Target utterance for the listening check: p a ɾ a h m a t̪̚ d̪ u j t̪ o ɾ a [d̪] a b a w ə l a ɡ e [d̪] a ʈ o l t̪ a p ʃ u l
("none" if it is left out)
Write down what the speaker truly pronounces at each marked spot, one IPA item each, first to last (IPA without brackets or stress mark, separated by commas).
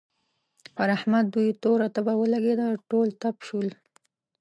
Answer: t̪, d̪